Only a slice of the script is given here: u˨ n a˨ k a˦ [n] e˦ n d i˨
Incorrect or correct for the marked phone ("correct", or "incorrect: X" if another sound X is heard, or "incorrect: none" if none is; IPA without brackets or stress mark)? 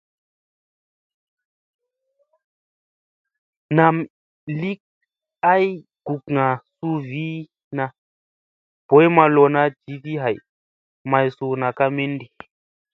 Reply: incorrect: m